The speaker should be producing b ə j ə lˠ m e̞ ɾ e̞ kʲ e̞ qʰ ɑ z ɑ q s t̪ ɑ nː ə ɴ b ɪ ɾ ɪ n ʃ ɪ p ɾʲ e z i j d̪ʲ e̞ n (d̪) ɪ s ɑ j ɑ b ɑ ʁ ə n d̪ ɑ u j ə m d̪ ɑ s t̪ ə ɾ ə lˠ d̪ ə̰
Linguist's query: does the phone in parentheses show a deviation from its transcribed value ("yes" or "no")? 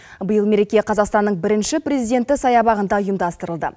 yes